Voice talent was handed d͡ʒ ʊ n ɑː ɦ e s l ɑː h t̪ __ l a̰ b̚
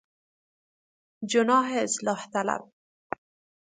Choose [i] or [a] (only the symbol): a